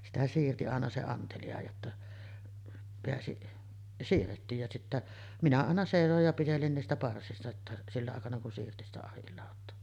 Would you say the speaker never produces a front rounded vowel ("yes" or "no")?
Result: yes